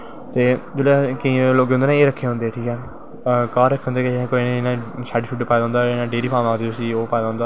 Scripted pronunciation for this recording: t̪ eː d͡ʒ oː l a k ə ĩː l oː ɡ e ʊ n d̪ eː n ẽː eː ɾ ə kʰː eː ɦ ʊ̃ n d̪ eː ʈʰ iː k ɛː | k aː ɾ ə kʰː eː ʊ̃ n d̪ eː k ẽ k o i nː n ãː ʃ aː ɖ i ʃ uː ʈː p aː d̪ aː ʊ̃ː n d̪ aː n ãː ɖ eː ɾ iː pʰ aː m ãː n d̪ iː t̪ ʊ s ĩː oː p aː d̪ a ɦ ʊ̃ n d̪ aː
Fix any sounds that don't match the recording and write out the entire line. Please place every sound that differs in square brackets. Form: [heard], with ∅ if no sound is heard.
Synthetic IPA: t̪ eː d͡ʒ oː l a k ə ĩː l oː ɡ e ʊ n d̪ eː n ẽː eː ɾ ə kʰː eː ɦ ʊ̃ n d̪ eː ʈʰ iː k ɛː | k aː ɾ ə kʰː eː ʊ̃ n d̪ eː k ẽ k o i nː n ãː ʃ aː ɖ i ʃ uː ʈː p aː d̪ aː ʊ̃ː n d̪ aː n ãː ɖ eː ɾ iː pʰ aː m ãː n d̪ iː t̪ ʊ s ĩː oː p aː d̪ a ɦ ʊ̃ n d̪ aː